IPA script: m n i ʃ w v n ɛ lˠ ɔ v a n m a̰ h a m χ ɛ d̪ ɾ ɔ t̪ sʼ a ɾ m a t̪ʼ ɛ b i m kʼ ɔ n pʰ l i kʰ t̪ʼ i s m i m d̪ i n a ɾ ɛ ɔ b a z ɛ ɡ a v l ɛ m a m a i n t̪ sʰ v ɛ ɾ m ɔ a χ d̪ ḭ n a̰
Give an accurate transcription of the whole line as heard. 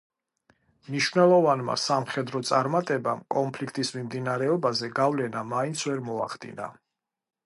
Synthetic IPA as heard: m n i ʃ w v n ɛ lˠ ɔ v a n m a̰ s a m χ ɛ d̪ ɾ ɔ t̪ sʼ a ɾ m a t̪ʼ ɛ b a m kʼ ɔ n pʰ l i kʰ t̪ʼ i s m i m d̪ i n a ɾ ɛ ɔ b a z ɛ ɡ a v l ɛ n a m a i n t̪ sʰ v ɛ ɾ m ɔ a χ d̪ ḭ n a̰